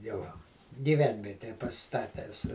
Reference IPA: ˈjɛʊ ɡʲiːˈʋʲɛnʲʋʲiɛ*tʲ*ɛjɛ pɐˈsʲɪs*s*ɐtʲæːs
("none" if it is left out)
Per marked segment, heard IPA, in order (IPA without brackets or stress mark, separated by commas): tʲ, t